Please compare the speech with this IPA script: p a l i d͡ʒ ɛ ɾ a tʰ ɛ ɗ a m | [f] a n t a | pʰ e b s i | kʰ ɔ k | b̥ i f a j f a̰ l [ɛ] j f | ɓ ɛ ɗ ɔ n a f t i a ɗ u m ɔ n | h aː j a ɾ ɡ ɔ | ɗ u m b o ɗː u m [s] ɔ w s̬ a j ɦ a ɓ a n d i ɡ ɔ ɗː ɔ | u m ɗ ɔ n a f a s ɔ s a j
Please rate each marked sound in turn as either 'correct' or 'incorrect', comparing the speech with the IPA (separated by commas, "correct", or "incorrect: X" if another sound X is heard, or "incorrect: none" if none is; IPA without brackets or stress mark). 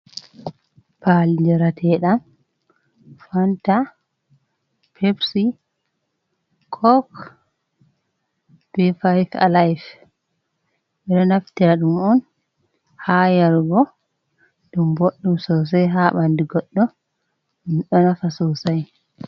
correct, incorrect: a, correct